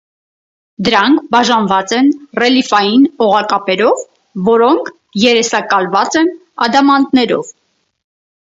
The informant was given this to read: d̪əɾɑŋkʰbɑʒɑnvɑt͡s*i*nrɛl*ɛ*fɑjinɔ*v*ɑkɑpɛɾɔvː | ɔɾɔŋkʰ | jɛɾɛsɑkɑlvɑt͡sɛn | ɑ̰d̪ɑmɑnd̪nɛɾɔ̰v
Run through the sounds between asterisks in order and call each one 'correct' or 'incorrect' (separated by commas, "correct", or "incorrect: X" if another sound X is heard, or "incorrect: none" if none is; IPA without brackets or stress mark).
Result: incorrect: ɛ, incorrect: i, incorrect: ʁ